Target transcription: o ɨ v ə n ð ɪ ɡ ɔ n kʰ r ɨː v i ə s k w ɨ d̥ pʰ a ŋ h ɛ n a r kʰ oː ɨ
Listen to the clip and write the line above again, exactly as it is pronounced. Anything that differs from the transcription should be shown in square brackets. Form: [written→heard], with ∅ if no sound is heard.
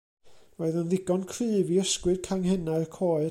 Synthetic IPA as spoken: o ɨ [v→ð] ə n ð ɪ ɡ ɔ n kʰ r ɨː v i ə s k w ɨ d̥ [pʰ→kʰ] a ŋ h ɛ n a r kʰ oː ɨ